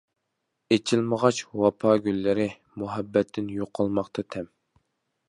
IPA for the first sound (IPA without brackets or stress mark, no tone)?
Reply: e